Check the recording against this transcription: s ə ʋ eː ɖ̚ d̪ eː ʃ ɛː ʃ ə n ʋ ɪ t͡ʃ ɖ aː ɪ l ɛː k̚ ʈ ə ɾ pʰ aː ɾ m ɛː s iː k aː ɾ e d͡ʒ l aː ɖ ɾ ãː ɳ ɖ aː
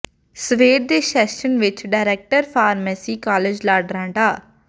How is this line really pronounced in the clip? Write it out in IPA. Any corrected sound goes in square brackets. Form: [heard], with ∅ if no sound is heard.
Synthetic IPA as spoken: s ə ʋ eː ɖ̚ d̪ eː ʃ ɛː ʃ ə n ʋ ɪ t͡ʃ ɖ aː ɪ [ɾ] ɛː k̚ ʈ ə ɾ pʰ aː ɾ m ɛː s iː k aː [l] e d͡ʒ l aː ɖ ɾ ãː ɳ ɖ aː